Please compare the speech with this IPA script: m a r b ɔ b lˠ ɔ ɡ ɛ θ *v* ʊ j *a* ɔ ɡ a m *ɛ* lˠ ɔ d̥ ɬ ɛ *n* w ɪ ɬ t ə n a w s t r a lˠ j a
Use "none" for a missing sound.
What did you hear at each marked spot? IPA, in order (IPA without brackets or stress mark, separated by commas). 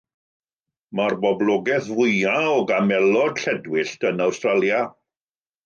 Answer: v, a, ɛ, d